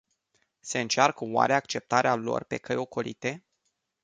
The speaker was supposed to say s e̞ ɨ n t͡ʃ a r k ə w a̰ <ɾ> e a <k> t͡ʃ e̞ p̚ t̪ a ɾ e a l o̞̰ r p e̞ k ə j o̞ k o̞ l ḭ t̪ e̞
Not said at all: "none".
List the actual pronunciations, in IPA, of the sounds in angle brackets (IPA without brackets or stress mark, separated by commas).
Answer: ɾ, k